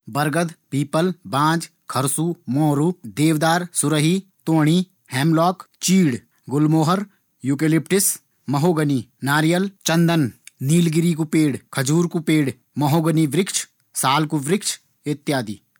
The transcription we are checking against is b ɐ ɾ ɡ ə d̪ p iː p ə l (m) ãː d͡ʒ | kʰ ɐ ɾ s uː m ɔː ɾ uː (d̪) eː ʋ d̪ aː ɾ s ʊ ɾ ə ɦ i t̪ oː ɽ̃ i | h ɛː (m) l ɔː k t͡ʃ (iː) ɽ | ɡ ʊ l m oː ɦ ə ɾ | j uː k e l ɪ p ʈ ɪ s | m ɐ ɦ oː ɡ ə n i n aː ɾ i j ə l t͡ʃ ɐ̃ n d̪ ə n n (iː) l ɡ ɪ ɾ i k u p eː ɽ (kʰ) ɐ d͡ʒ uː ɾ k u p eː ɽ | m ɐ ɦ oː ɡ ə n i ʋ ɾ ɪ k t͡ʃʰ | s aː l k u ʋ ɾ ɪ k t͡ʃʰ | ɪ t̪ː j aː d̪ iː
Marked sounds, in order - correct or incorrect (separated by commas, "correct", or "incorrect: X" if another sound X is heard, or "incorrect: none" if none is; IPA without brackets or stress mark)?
incorrect: b, correct, correct, correct, correct, correct